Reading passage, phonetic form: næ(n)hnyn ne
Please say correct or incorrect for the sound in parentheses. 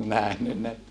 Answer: incorrect